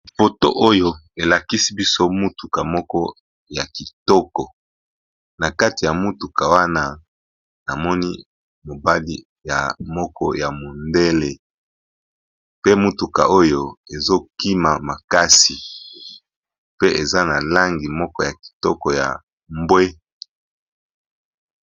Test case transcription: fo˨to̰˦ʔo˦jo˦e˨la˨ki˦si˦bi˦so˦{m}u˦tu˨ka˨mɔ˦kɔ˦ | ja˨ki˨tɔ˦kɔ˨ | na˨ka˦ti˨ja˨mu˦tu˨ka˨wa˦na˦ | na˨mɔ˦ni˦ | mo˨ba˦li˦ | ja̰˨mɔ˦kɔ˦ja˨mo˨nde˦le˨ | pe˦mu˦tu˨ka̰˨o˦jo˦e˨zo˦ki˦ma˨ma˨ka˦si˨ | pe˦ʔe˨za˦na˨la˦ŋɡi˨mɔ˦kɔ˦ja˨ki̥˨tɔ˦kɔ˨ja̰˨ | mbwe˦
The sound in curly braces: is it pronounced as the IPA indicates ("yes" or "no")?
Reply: yes